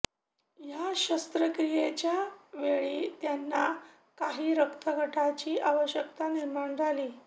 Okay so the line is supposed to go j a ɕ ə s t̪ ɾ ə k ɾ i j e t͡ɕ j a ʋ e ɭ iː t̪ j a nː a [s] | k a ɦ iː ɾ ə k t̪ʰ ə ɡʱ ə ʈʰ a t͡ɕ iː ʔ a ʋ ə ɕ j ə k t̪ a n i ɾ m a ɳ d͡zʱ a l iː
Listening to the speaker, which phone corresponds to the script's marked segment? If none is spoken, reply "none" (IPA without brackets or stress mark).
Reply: none